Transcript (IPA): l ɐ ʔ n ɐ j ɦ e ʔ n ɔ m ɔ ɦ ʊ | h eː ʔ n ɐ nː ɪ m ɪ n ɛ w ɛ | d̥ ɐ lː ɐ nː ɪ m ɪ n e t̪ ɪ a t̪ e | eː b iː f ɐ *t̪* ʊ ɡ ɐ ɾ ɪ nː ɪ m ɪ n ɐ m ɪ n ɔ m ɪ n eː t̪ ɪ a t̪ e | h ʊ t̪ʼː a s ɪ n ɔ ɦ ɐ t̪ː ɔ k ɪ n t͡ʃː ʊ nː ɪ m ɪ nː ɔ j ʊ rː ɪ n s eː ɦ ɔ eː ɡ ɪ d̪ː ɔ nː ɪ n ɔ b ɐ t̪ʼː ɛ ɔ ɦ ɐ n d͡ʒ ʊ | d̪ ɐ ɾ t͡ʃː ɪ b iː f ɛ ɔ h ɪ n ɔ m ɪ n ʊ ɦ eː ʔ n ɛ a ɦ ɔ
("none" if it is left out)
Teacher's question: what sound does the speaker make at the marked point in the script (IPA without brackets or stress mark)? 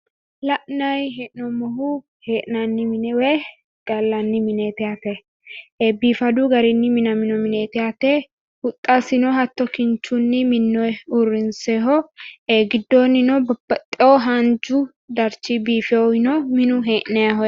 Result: d̪